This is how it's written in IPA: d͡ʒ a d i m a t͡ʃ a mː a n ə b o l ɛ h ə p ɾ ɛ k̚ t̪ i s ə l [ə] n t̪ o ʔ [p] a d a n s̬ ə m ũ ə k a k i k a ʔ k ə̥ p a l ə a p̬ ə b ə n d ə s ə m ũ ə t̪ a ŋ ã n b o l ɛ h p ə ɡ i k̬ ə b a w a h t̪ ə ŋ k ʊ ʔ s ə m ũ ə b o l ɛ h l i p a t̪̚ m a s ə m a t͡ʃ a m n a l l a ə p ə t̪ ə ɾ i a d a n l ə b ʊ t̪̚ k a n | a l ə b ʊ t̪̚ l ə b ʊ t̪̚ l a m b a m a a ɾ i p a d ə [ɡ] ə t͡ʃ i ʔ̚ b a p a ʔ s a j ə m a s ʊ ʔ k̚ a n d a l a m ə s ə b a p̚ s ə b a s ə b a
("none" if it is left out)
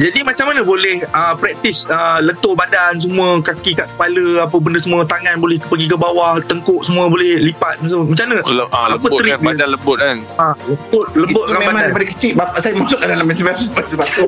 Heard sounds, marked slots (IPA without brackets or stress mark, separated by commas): ə, b, k